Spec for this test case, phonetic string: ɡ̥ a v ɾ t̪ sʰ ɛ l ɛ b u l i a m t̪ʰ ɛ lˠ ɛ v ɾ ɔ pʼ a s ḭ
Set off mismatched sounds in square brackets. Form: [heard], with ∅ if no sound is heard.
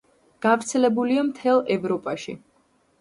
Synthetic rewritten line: ɡ̥ a v ɾ t̪ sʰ ɛ l ɛ b u l i a m t̪ʰ ɛ lˠ ɛ v ɾ ɔ pʼ a [ʃ] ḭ